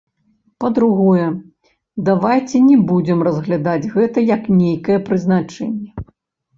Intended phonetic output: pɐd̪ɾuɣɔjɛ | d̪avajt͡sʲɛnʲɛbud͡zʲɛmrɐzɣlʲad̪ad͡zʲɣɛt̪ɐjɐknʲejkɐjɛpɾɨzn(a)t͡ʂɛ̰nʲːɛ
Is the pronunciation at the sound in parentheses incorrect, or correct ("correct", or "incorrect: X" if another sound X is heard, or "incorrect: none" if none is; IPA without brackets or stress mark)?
correct